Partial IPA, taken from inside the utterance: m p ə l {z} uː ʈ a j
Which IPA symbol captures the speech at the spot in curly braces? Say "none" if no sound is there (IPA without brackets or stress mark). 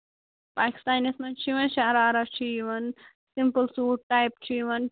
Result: s